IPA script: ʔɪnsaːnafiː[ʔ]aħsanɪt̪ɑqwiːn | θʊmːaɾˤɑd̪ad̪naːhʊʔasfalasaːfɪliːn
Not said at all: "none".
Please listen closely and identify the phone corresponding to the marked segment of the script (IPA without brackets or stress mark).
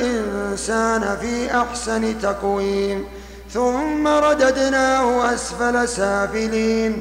ʔ